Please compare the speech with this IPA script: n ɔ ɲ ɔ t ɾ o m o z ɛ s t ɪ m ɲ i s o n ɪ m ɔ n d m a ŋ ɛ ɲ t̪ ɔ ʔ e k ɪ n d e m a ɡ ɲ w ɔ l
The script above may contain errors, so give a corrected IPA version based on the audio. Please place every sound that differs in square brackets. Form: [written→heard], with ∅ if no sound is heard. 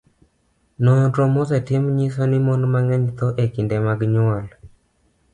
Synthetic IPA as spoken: n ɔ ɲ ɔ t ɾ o m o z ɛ [s→∅] t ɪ m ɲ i s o n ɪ m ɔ n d m a ŋ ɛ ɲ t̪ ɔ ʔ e k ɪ n d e m a ɡ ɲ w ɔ l